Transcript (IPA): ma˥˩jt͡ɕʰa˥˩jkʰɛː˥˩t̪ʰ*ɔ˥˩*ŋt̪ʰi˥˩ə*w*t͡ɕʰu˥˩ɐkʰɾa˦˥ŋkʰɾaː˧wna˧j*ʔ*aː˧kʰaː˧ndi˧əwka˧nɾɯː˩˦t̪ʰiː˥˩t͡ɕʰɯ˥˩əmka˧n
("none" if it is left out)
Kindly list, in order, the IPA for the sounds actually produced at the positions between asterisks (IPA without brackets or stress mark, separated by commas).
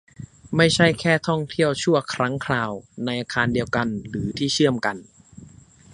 ɔ˥˩, w, ʔ